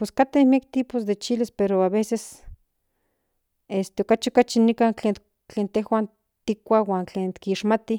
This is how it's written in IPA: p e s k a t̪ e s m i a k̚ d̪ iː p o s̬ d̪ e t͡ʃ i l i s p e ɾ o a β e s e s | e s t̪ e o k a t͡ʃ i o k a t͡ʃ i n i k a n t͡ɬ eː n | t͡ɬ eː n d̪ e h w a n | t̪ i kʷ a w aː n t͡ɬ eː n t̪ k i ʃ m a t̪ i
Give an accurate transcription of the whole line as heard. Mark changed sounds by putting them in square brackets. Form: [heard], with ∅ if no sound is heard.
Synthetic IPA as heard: p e s k a t̪ e [h] m i a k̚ [t̪] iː p o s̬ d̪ e t͡ʃ i l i s p e ɾ o a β e s e s | e s t̪ e o k a t͡ʃ i o k a t͡ʃ i n i k a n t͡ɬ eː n | t͡ɬ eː n [t̪] e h w a n | t̪ i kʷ a w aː n t͡ɬ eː n t̪ k i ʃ m a t̪ i

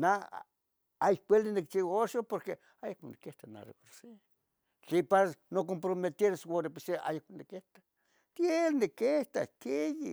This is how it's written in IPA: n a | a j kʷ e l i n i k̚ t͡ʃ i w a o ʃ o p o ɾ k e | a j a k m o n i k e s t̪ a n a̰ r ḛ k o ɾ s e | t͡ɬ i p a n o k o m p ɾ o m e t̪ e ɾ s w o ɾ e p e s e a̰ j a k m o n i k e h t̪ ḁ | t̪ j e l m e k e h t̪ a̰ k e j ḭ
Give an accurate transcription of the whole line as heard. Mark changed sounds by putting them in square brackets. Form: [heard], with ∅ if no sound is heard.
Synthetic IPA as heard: n a | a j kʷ e l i n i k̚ t͡ʃ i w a o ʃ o p o ɾ k e | a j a k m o n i k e [h] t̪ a n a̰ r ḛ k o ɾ s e | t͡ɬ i p a n o k o m p ɾ o m e t̪ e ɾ s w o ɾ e p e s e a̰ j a k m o n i k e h t̪ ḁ | t̪ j e l [n] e k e h t̪ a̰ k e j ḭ

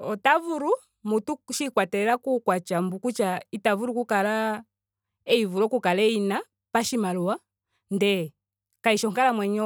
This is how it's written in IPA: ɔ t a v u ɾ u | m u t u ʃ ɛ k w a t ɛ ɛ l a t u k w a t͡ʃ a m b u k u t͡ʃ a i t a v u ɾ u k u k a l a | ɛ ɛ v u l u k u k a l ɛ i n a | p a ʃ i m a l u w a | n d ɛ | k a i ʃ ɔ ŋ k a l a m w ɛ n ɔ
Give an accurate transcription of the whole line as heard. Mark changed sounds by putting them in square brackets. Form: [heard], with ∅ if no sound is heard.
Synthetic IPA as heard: ɔ t a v u ɾ u | m u t u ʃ [i] k w a t ɛ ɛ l a [k] u k w a t͡ʃ a m b u k u t͡ʃ a i t a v u ɾ u k u k a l a | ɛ [i] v u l [ɔ] k u k a l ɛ i n a | p a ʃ i m a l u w a | n d ɛ | k a i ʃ ɔ ŋ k a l a m w ɛ [ɲ] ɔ

